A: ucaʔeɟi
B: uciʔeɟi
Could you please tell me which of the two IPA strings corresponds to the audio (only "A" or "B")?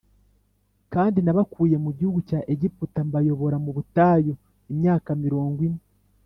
A